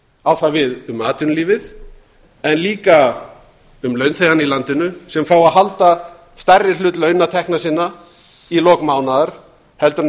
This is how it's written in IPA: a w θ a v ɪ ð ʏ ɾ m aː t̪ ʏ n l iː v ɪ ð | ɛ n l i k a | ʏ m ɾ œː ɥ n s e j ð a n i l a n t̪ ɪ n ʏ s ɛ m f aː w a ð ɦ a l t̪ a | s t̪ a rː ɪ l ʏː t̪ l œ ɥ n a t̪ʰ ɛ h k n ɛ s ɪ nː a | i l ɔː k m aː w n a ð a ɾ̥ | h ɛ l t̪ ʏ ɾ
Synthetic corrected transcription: a w θ a v ɪ ð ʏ m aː t̪ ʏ n l iː v ɪ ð | ɛ n l iː k a | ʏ m l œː ɥ n θ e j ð a n i l a n t̪ ɪ n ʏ s ɛ m f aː w a ð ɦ a l t̪ a | s t̪ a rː ɪ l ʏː t̪ l œ ɥ n a t̪ʰ ɛ h k n a s ɪ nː a | i l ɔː k m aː w n a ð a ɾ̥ | h ɛ l t̪ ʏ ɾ